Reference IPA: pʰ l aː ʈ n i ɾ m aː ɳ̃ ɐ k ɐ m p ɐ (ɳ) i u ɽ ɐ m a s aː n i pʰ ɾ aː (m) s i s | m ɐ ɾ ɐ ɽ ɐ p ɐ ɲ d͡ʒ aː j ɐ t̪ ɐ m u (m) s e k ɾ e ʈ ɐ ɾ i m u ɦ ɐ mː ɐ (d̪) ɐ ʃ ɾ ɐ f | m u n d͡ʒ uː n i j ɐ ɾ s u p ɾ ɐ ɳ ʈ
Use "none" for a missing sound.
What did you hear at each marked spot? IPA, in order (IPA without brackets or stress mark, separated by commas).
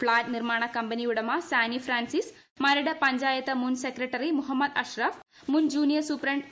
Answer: n, n, n, d̪